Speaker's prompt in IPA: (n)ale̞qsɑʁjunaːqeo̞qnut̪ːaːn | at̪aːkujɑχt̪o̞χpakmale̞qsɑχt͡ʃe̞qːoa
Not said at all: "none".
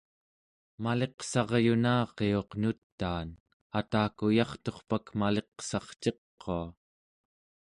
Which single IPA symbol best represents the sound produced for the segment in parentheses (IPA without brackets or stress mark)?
m